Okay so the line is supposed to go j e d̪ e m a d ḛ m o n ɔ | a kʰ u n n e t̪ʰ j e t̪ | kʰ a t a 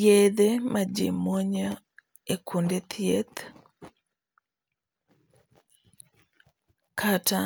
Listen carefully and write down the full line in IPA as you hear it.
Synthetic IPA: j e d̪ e m a d͡ʒ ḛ m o ɲ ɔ | e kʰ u n d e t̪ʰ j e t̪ | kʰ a t a